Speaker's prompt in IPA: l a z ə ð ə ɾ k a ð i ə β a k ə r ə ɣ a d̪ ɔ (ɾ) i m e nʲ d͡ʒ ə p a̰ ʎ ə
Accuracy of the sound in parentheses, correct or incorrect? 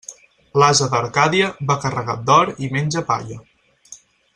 correct